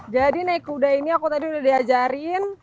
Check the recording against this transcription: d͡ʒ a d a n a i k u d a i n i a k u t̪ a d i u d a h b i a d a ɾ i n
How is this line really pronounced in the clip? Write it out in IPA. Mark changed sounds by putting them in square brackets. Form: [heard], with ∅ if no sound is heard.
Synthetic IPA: d͡ʒ a d [i] n a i k u d a i n i a k u t̪ a d i u d a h [d] i a [d͡ʒ] a ɾ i n